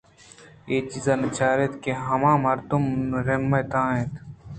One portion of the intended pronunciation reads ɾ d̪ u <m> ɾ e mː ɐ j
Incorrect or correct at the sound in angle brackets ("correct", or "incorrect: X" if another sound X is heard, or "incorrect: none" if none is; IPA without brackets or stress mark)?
correct